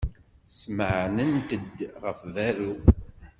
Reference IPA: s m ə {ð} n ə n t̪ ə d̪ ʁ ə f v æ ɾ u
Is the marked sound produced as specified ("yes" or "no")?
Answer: no